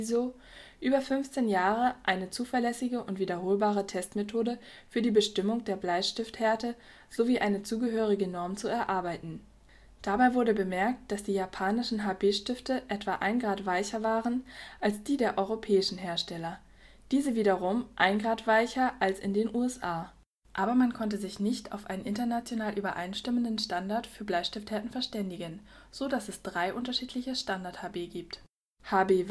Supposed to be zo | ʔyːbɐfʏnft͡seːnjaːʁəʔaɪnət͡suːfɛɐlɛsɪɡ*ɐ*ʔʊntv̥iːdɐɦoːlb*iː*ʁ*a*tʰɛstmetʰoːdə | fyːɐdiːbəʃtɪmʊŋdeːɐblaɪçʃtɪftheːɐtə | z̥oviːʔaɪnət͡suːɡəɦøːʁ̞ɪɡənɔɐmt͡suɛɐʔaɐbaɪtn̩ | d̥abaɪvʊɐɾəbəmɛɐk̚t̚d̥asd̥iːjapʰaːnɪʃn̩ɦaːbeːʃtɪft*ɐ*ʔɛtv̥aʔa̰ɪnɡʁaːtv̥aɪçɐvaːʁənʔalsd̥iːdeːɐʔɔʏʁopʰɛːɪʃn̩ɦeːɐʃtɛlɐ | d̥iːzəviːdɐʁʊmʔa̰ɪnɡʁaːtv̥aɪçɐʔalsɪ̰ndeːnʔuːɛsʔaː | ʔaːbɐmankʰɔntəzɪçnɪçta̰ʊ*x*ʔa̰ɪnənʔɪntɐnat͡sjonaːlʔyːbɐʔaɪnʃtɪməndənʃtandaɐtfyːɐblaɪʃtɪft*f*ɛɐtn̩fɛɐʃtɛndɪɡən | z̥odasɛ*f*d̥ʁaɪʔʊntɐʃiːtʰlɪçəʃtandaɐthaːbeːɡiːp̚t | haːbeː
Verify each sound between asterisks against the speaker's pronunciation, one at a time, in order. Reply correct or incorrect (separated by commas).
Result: incorrect, incorrect, incorrect, incorrect, incorrect, incorrect, incorrect